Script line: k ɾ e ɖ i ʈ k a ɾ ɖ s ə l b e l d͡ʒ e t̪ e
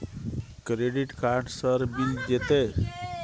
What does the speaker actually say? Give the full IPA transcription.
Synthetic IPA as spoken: k ɾ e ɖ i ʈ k a ɾ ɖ s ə ɾ b i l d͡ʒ e t̪ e

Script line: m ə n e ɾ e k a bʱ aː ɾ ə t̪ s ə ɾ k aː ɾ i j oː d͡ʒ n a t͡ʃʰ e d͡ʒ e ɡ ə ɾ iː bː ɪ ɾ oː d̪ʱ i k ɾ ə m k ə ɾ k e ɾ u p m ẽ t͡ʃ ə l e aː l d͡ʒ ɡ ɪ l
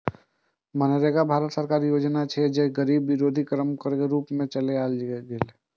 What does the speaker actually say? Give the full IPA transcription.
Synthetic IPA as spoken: m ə n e ɾ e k a bʱ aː ɾ ə t̪ s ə ɾ k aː ɾ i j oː d͡ʒ n a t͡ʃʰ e d͡ʒ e ɡ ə ɾ iː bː ɪ ɾ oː d̪ʱ i k ɾ ə m k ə ɾ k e ɾ uː p m ẽ t͡ʃ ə l e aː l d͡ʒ ɡ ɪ l

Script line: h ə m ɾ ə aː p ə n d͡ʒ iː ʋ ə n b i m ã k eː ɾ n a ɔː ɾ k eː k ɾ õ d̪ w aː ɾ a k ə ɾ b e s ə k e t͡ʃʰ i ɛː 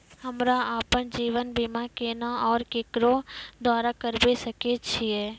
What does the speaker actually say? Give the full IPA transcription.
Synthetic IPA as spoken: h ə m ɾ a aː p ə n d͡ʒ iː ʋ ə n b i m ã k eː n a ɔː ɾ k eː k ɾ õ d̪ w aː ɾ a k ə ɾ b e s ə k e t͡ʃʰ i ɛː

